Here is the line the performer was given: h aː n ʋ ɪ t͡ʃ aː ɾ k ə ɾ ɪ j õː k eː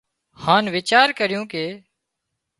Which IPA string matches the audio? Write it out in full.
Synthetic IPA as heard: h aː n ʋ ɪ t͡ʃ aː ɾ k ə ɾ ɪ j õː k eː